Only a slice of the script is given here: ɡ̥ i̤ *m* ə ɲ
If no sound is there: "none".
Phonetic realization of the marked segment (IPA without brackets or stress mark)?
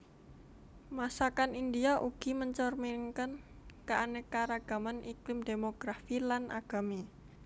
m